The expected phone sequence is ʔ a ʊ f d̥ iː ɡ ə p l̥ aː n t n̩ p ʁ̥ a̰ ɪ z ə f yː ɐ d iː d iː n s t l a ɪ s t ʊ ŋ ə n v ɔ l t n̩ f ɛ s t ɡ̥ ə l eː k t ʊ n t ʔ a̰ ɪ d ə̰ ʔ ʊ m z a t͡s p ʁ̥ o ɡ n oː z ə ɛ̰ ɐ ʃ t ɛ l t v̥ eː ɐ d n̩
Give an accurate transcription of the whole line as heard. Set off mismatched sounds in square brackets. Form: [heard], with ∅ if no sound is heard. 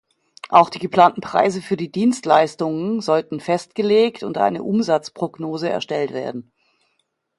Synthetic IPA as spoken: ʔ a ʊ [x] d̥ iː ɡ ə p l̥ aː n t n̩ p ʁ̥ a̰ ɪ z ə f yː ɐ d iː d iː n s t l a ɪ s t ʊ ŋ ə n [z] ɔ l t n̩ f ɛ s t ɡ̥ ə l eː k t ʊ n t ʔ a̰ ɪ [n] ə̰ ʔ ʊ m z a t͡s p ʁ̥ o ɡ n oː z ə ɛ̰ ɐ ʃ t ɛ l t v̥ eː ɐ d n̩